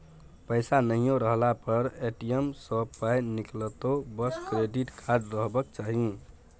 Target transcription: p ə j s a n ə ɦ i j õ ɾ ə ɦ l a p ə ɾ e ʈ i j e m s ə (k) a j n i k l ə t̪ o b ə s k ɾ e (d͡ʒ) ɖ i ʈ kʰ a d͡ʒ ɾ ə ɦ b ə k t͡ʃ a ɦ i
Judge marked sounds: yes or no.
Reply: no, no

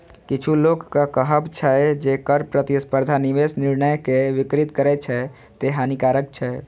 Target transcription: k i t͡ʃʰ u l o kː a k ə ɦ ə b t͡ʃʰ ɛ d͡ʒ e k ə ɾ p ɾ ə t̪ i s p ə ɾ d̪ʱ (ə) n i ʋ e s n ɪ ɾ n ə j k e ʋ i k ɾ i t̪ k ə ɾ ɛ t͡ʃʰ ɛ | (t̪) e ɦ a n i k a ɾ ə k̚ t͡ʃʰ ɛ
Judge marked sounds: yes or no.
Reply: no, yes

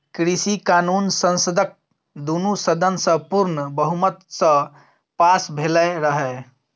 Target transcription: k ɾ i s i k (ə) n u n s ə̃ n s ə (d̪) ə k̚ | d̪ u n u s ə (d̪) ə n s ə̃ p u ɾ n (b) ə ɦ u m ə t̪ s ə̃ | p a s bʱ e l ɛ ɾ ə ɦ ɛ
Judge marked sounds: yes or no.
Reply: no, yes, yes, yes

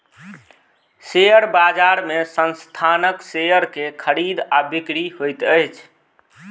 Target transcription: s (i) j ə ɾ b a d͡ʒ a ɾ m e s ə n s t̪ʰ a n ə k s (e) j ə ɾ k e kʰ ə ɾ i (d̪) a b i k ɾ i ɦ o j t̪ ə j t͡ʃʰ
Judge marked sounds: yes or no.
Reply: no, yes, yes

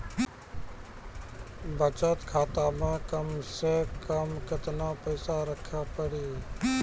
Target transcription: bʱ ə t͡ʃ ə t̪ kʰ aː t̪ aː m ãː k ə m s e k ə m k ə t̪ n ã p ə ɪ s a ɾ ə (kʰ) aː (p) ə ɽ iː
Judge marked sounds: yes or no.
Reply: yes, yes

